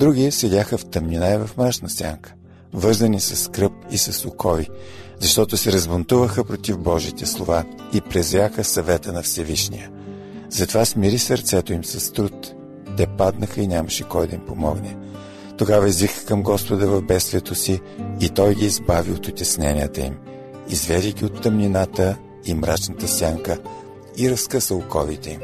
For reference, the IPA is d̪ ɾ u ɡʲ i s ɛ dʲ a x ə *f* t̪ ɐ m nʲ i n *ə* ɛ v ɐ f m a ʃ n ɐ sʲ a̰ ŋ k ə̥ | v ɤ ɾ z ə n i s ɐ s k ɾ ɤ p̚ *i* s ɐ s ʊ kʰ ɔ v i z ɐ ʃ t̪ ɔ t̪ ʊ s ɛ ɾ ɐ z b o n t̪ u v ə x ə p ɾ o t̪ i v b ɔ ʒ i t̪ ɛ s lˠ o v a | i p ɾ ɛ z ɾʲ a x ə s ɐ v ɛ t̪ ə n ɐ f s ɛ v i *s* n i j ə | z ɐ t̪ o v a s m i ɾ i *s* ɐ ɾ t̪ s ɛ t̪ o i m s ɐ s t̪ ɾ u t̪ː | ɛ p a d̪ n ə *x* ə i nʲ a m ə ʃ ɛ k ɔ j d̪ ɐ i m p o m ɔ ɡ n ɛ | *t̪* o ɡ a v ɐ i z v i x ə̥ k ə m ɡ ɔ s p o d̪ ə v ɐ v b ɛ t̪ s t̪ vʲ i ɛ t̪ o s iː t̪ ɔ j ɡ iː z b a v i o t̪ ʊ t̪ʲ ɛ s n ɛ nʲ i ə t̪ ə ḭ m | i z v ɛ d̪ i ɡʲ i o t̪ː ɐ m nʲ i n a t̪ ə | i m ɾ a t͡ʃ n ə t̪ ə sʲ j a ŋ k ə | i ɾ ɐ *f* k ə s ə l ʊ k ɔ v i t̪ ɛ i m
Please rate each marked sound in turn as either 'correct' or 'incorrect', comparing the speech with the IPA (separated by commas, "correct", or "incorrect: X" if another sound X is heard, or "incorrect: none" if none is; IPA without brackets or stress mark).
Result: correct, incorrect: a, correct, incorrect: ʃ, correct, correct, correct, incorrect: s